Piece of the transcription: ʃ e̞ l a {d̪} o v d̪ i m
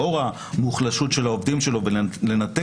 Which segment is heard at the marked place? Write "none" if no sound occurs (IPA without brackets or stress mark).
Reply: none